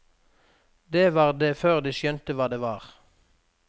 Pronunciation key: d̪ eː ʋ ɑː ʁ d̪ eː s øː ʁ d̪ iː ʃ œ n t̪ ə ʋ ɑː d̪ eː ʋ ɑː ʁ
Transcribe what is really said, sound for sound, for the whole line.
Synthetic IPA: d̪ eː ʋ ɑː ʁ d̪ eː f øː ʁ d̪ iː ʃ œ n t̪ ə ʋ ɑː d̪ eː ʋ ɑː ʁ